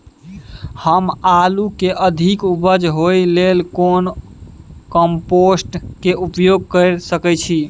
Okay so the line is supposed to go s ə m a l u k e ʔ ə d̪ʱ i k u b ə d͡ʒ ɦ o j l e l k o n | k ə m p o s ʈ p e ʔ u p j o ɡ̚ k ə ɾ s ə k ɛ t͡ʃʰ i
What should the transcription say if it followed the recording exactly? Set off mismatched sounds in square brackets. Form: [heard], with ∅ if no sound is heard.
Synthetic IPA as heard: [h] ə m a l u k e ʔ ə d̪ʱ i k u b ə d͡ʒ ɦ o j l e l k o n | k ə m p o s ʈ [k] e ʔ u p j o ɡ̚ k ə ɾ s ə k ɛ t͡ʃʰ i